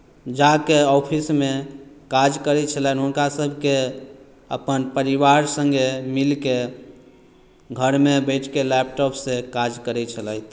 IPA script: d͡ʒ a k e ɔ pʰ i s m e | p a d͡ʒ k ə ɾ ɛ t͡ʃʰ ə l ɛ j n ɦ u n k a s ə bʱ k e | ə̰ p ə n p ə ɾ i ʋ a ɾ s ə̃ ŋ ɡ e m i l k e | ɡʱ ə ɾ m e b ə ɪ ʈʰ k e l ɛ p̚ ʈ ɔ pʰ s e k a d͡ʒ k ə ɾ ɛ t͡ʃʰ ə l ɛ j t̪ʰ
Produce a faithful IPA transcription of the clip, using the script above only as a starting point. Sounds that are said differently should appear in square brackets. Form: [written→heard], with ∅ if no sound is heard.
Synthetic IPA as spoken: d͡ʒ a k e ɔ pʰ i s m e | [p→k] a d͡ʒ k ə ɾ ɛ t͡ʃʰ ə l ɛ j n ɦ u n k a s ə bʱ k e | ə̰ p ə n p ə ɾ i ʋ a ɾ s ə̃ ŋ ɡ e m i l k e | ɡʱ ə ɾ m e b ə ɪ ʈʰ k e l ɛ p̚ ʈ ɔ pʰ s e k a d͡ʒ k ə ɾ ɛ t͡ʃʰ ə l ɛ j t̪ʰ